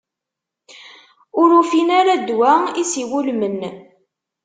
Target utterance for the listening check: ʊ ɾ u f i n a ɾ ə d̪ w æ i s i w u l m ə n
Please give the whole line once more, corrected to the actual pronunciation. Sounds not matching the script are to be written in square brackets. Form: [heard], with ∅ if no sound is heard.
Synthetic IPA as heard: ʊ ɾ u f i n a ɾ [a] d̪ w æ i s i w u l m ə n